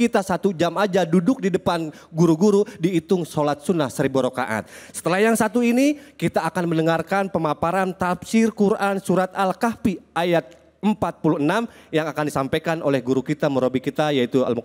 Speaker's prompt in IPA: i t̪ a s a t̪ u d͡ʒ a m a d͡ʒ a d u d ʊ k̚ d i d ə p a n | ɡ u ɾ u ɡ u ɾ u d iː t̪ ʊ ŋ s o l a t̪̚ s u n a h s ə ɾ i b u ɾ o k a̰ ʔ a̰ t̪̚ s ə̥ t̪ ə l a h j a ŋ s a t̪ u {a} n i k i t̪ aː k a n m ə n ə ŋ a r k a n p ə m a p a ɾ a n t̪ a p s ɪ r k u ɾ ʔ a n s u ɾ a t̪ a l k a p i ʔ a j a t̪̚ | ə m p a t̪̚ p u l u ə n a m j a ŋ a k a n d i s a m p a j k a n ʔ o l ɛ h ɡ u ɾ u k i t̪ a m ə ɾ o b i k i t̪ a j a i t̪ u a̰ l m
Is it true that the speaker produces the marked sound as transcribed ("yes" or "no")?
no